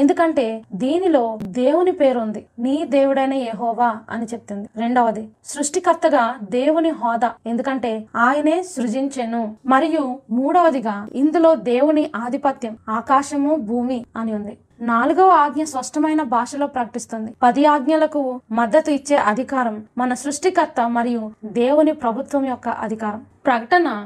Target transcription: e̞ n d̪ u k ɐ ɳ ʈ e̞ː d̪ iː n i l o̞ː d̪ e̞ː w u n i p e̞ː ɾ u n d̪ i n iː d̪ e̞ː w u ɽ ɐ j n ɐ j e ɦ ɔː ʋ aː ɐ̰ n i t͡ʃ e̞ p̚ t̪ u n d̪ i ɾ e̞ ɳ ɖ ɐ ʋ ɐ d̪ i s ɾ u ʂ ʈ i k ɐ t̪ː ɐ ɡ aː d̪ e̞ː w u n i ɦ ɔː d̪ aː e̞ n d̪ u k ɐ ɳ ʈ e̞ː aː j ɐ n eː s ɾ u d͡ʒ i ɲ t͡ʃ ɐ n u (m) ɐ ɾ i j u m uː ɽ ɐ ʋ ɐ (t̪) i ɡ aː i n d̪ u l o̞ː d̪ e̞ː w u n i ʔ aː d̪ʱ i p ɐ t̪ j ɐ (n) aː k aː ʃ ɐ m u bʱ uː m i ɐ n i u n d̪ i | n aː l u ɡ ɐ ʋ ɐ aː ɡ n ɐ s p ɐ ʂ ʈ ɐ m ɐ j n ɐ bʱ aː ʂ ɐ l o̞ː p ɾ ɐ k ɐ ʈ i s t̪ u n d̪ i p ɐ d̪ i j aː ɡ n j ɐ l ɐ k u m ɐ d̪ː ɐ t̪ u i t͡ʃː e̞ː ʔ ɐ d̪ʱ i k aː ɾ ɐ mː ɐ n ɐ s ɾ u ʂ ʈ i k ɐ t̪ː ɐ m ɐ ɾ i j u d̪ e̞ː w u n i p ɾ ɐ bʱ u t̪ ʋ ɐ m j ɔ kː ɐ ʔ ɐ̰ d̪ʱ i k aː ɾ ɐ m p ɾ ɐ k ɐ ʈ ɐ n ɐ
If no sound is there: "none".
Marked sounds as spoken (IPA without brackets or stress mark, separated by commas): m, d̪, m